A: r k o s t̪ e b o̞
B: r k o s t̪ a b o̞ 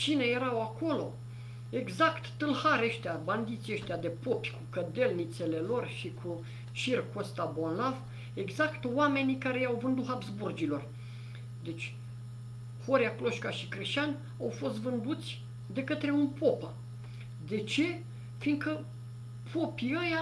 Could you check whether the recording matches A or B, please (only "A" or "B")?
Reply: B